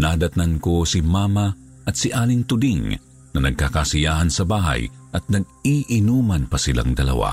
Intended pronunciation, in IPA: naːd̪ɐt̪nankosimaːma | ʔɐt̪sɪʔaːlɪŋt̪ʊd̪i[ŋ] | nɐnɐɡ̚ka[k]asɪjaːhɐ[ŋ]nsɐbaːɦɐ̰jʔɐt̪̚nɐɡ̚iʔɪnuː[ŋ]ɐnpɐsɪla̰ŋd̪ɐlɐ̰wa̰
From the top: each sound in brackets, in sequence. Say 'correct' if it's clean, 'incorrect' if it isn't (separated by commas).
correct, correct, incorrect, incorrect